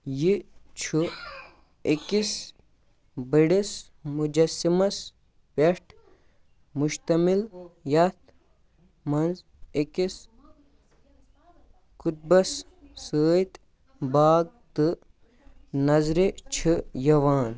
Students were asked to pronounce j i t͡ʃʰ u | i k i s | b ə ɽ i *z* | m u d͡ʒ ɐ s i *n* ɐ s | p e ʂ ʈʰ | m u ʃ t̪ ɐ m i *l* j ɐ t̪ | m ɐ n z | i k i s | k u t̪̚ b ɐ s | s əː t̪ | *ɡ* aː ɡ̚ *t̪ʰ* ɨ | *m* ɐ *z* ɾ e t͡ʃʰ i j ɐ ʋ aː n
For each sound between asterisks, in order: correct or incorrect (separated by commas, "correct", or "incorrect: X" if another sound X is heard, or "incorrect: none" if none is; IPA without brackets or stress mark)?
incorrect: s, incorrect: m, correct, incorrect: b, incorrect: t̪, incorrect: n, correct